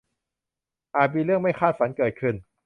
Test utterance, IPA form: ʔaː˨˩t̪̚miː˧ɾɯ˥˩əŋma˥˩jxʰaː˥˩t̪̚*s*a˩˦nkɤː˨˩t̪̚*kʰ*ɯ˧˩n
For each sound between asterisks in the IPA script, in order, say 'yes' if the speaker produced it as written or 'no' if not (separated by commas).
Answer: no, yes